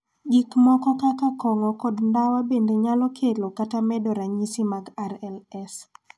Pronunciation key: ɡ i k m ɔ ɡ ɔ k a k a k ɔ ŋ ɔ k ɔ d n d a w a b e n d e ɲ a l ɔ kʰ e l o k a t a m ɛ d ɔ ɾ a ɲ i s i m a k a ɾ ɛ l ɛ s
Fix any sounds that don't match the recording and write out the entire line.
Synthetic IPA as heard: ɡ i k m ɔ k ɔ k a k a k ɔ ŋ ɔ k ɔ d n d a w a b e n d e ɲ a l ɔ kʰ e l o k a t a m ɛ d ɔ ɾ a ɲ i s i m a ɡ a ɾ ɛ l ɛ s